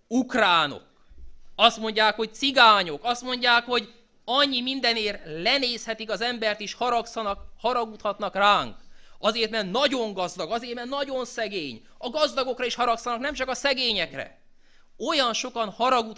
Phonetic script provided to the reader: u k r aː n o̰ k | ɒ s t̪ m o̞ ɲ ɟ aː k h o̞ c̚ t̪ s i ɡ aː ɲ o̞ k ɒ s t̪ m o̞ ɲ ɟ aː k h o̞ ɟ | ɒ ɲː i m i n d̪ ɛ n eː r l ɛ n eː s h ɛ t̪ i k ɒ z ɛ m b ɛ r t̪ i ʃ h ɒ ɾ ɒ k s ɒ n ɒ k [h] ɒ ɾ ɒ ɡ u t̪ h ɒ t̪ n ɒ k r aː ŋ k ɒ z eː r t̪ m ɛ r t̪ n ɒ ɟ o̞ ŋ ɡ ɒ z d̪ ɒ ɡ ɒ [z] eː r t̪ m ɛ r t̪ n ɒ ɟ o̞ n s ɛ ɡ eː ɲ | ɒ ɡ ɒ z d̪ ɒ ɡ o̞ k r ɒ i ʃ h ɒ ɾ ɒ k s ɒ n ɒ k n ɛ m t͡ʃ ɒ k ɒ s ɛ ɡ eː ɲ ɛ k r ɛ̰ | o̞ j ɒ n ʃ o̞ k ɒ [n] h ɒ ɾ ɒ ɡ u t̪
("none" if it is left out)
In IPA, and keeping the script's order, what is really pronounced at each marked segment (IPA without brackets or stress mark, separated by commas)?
h, z, n